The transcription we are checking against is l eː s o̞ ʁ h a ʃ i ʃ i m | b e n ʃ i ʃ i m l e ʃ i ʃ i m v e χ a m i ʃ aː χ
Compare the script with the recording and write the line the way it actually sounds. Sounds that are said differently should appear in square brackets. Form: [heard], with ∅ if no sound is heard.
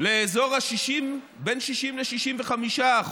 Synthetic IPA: l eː [z] o̞ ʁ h a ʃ i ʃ i m | b e n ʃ i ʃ i m l e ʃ i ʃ i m v e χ a m i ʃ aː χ